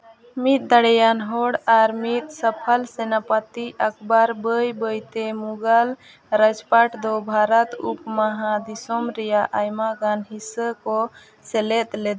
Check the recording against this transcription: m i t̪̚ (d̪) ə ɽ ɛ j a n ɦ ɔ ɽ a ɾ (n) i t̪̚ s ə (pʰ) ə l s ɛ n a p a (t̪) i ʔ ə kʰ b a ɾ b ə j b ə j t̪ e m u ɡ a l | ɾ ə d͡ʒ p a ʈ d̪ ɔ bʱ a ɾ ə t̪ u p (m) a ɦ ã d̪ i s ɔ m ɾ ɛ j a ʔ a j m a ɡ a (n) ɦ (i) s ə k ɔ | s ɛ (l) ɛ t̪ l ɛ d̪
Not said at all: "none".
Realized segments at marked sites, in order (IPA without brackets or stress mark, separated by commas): d̪, m, pʰ, t̪, m, n, i, l